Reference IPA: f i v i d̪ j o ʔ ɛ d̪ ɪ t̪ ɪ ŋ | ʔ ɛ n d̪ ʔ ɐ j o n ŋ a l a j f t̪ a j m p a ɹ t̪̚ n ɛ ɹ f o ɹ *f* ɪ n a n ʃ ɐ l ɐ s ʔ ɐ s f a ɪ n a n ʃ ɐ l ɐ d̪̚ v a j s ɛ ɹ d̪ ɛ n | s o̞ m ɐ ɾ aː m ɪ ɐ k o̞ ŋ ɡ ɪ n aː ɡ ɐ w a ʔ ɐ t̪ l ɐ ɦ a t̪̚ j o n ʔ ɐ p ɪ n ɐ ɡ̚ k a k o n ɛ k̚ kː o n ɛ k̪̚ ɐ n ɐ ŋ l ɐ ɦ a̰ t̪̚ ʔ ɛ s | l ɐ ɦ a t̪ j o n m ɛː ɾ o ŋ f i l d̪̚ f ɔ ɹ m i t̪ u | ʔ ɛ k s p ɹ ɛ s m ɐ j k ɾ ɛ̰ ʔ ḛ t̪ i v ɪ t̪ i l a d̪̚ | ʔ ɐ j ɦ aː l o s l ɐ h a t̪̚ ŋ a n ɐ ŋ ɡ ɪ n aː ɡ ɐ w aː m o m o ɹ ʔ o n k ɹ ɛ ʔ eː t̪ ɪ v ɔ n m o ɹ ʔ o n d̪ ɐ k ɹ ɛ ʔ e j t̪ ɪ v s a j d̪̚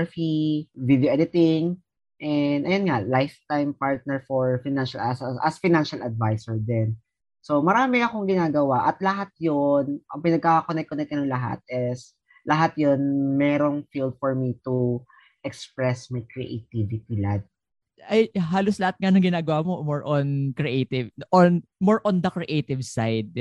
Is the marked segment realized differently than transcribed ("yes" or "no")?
no